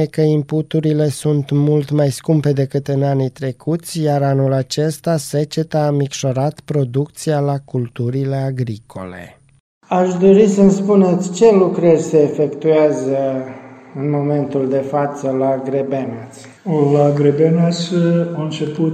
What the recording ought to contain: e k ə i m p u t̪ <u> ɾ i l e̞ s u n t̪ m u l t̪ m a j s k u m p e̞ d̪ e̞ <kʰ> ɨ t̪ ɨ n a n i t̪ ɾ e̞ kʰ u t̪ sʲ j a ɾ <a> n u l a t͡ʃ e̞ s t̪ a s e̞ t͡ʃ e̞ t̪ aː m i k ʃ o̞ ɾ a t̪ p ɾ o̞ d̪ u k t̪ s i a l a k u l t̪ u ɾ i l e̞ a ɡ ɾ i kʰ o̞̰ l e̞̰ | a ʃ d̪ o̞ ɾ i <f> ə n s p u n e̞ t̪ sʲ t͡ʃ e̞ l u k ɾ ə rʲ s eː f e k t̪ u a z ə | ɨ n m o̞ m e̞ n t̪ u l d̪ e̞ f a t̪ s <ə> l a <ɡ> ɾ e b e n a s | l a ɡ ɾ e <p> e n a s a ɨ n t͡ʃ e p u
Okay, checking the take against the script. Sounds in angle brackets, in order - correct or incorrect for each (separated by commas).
correct, incorrect, correct, incorrect, correct, correct, incorrect